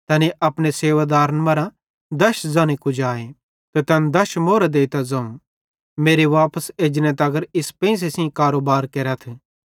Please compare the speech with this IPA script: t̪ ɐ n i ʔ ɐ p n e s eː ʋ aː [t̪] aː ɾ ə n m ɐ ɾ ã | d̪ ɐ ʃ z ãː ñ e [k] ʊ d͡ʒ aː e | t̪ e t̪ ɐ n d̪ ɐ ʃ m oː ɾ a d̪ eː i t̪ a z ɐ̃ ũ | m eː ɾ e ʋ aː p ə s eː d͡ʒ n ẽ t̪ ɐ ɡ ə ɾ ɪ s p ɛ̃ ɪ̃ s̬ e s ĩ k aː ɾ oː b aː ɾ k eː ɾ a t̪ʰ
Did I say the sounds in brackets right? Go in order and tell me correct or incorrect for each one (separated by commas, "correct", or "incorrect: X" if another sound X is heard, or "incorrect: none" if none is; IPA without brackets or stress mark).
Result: incorrect: d̪, correct